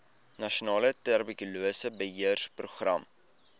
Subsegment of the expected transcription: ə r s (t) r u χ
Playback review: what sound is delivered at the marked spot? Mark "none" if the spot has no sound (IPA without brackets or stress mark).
p